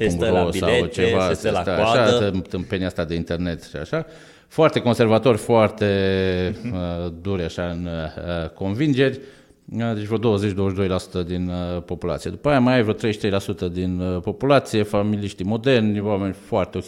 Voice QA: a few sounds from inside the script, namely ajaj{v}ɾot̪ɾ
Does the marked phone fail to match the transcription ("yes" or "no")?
no